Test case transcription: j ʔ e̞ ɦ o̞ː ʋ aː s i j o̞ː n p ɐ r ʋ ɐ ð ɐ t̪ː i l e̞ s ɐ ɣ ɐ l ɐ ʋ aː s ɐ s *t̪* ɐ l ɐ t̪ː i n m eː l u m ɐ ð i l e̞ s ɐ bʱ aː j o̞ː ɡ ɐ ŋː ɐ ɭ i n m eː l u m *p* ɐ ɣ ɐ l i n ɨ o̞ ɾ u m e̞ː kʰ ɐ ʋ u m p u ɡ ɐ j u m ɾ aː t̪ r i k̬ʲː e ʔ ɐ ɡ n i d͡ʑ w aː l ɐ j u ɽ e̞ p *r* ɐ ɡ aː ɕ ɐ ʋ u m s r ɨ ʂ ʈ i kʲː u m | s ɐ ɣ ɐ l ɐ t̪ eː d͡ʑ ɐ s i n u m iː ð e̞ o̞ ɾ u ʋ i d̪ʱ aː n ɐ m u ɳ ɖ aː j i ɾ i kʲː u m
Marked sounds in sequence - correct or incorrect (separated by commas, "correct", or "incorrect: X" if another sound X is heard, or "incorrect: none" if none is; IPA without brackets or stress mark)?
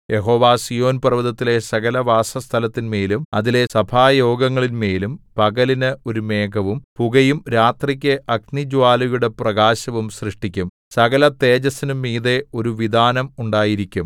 incorrect: t̪ʰ, correct, correct